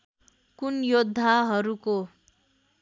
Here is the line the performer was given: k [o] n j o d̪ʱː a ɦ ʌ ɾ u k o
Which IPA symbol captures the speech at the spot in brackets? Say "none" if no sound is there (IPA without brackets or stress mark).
u